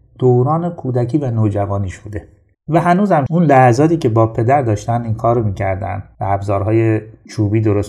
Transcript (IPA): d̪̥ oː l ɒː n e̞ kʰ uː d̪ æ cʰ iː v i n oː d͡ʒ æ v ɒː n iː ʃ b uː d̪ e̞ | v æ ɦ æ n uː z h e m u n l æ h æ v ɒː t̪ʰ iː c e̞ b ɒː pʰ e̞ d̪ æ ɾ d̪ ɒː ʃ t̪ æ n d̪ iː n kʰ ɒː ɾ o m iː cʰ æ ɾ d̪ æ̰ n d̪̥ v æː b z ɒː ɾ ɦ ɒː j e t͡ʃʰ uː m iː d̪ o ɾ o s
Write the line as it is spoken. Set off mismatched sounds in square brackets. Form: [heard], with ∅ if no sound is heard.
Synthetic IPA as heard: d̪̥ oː [ɾ] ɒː n e̞ kʰ uː d̪ æ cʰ iː v [æ] n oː d͡ʒ æ v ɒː n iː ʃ b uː d̪ e̞ | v æ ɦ æ n uː z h [æ] m u n l æ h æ [z] ɒː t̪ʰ iː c e̞ b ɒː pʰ e̞ d̪ æ ɾ d̪ ɒː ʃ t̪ æ n d̪ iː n kʰ ɒː ɾ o m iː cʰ æ ɾ d̪ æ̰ n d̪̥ v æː b z ɒː ɾ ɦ ɒː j e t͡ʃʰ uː [b] iː d̪ o ɾ o s